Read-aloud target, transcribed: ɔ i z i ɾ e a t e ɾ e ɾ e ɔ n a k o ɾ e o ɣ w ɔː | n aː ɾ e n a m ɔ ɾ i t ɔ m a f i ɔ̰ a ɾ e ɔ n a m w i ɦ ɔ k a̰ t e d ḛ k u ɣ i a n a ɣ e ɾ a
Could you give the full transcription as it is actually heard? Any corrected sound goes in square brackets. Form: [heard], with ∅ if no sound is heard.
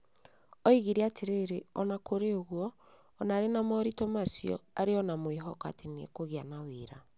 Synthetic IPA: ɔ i [ɣ] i ɾ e a t e ɾ e ɾ e ɔ n a k o ɾ e o ɣ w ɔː | n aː ɾ e n a m ɔ ɾ i t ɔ m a [s] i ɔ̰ a ɾ e ɔ n a m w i ɦ ɔ k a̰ t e [n] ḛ k [o] ɣ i a n a [w] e ɾ a